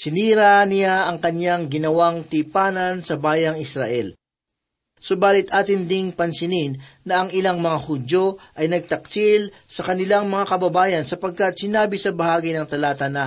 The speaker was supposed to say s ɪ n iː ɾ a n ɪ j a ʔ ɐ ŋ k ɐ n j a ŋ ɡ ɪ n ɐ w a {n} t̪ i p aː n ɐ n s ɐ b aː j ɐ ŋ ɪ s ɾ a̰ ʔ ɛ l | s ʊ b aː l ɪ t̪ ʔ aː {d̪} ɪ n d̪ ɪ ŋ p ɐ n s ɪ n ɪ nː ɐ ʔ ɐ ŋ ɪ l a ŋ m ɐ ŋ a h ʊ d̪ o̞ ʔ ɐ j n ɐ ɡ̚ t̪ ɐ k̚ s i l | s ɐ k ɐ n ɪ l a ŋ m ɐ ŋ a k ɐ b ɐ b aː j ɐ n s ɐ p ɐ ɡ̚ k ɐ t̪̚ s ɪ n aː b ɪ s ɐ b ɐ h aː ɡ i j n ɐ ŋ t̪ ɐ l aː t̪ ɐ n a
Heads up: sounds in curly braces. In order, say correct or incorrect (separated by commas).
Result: incorrect, incorrect